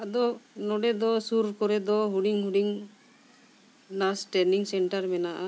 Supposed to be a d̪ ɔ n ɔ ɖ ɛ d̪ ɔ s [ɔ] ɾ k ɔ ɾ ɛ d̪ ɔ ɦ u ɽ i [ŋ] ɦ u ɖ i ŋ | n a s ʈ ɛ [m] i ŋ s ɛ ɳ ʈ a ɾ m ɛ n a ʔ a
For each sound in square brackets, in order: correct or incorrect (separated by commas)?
incorrect, correct, incorrect